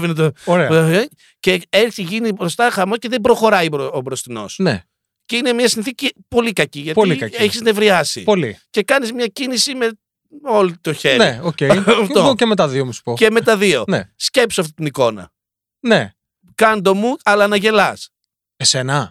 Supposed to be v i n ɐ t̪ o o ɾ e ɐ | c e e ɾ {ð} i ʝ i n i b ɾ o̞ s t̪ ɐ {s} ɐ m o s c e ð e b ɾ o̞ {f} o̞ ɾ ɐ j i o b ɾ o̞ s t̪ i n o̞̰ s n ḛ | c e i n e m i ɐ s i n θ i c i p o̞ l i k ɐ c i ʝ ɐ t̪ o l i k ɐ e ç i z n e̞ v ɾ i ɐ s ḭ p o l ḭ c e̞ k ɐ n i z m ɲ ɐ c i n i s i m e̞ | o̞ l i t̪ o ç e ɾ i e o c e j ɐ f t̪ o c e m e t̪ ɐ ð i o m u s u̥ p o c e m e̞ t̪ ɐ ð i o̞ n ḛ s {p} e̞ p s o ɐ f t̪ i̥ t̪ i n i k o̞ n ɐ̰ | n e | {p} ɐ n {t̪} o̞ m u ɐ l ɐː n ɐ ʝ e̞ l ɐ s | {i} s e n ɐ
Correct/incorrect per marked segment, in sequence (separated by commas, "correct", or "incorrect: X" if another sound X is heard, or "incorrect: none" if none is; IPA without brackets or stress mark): incorrect: θ, incorrect: x, incorrect: x, incorrect: c, incorrect: k, incorrect: d̪, incorrect: e